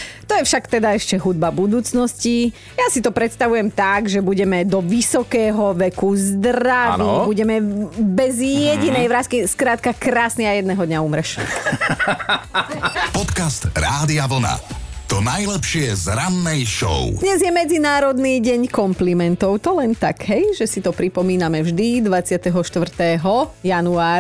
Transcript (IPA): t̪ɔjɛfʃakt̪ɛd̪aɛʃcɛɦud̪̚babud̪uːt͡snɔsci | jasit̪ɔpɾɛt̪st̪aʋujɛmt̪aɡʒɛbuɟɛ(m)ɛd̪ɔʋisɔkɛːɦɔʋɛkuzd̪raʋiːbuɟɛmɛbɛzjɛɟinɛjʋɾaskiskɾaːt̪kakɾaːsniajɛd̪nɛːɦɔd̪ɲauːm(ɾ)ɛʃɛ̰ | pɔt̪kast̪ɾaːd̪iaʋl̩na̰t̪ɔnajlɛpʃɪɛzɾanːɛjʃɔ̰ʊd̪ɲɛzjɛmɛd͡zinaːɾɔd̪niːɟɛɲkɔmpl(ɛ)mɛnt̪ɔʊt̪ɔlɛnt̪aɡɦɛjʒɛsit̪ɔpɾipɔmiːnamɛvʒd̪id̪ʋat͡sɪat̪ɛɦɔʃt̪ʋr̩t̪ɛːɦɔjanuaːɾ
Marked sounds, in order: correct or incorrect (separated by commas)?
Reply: correct, correct, incorrect